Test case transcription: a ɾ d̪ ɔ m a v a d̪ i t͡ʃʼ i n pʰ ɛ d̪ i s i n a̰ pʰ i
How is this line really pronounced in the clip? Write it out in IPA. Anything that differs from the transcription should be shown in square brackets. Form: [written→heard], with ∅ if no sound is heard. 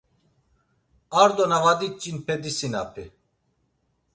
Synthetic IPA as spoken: a ɾ d̪ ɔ [m→n] a v a d̪ i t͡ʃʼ i n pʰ ɛ d̪ i s i n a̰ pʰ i